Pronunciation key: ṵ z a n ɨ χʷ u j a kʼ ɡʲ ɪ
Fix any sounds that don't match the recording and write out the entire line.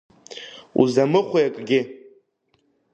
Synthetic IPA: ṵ z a m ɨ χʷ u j a kʼ ɡʲ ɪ

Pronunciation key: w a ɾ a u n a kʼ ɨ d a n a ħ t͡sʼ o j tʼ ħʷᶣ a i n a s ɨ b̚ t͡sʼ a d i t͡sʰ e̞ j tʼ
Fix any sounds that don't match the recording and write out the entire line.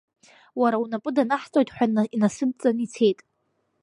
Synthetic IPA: w a ɾ a u n a pʼ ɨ d a n a ħ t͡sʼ o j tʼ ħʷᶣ a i n a s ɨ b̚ t͡sʼ a n i t͡sʰ e̞ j tʼ

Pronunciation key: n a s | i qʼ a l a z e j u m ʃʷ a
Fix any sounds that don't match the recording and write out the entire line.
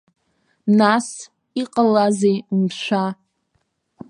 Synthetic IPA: n a s | i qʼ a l a z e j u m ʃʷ a

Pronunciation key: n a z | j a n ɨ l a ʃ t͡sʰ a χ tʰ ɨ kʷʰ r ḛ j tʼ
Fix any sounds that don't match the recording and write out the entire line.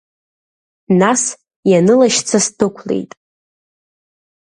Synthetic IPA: n a s | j a n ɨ l a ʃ t͡sʰ a s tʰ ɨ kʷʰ l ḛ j tʼ

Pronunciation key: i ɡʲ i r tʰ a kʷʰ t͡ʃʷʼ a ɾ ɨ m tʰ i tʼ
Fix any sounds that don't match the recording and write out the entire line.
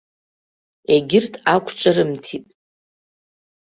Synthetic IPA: e ɡʲ ɪ r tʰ a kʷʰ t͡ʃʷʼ a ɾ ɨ m tʰ i tʼ

